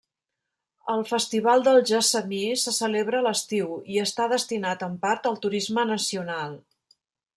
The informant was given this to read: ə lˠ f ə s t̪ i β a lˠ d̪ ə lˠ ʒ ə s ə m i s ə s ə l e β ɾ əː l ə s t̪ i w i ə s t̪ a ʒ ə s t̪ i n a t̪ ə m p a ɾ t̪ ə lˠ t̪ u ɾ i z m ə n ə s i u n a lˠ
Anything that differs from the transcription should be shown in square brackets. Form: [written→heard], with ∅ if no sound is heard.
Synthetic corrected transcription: ə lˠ f ə s t̪ i β a lˠ d̪ ə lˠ ʒ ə s ə m i s ə s ə l e β ɾ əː l ə s t̪ i w i ə s t̪ a [ʒ→ð] ə s t̪ i n a t̪ ə m p a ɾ t̪ ə lˠ t̪ u ɾ i z m ə n ə s i u n a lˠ

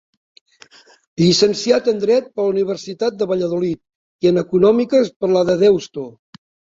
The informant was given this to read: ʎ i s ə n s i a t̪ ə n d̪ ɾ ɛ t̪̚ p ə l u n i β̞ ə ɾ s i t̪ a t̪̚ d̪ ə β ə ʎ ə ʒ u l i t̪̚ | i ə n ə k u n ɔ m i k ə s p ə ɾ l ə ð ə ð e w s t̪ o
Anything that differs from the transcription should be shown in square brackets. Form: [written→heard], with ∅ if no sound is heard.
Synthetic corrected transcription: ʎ i s ə n s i a t̪ ə n d̪ ɾ ɛ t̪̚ p ə l u n i β̞ ə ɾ s i t̪ a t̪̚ d̪ ə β ə ʎ ə [ʒ→ð] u l i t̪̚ | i ə n ə k u n ɔ m i k ə s p ə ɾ l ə ð ə ð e w s t̪ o

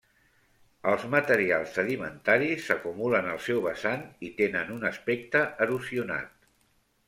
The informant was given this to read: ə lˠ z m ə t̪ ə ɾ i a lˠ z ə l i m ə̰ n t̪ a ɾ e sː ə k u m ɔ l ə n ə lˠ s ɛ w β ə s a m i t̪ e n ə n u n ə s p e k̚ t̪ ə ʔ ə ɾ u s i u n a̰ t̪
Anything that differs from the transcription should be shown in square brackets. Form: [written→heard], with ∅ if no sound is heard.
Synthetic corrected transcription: ə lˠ z m ə t̪ ə ɾ i a lˠ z ə l i m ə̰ n t̪ a ɾ [e→i] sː ə k u m [ɔ→u] l ə n ə lˠ s ɛ w β ə s a [m→n] i t̪ e n ə n u n ə s p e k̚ t̪ ə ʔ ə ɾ u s i u n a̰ t̪

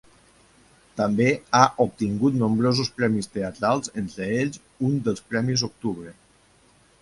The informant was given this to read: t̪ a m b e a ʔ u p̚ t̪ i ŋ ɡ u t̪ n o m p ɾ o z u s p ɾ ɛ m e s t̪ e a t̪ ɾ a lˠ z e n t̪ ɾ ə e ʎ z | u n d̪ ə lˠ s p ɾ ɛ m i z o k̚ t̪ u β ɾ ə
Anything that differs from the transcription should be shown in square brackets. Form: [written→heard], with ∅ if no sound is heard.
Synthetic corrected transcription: t̪ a m b e a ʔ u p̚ t̪ i ŋ ɡ u t̪ n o m [p→b] ɾ o z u s p ɾ ɛ m [e→i] s t̪ e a t̪ ɾ a lˠ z e n t̪ ɾ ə e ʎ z | u n d̪ ə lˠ s p ɾ ɛ m i z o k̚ t̪ u β ɾ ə

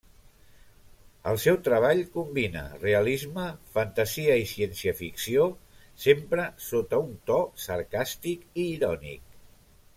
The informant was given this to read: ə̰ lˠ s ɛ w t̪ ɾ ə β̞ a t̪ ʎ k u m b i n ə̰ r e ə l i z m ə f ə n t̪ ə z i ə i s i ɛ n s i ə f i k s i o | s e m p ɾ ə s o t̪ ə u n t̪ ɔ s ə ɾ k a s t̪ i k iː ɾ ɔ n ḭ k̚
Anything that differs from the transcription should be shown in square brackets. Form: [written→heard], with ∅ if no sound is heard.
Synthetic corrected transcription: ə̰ lˠ s ɛ w t̪ ɾ ə β̞ a [t̪→∅] ʎ k u m b i n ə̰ r e ə l i z m ə f ə n t̪ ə z i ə i s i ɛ n s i ə f i k s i o | s e m p ɾ ə s o t̪ ə u n t̪ ɔ s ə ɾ k a s t̪ i k iː ɾ ɔ n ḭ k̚

